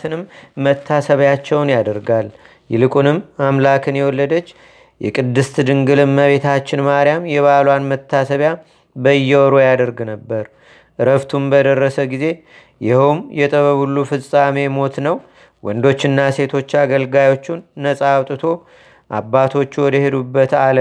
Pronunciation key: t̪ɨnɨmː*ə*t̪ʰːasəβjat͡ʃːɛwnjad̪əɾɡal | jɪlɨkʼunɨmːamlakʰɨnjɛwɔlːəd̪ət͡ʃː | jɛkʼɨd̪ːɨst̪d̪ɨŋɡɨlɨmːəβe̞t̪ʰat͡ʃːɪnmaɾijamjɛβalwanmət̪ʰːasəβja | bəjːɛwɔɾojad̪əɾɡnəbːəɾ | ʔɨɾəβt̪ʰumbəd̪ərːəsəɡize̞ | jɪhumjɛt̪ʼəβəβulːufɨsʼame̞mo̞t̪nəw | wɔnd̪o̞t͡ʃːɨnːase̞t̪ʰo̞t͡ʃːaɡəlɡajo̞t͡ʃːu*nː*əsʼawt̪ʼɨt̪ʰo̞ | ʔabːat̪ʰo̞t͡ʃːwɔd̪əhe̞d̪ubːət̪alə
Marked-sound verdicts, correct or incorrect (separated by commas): correct, correct